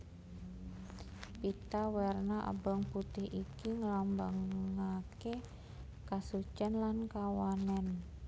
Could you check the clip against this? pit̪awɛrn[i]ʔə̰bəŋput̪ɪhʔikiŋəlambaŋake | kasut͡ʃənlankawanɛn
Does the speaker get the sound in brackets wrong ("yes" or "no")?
yes